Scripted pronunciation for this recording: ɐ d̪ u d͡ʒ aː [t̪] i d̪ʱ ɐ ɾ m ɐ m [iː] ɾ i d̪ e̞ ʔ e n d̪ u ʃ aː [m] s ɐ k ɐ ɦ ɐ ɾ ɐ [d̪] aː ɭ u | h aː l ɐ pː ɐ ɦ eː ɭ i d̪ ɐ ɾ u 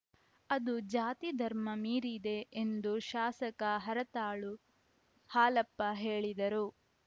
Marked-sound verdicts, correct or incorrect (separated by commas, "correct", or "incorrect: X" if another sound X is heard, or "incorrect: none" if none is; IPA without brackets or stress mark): correct, correct, incorrect: none, incorrect: t̪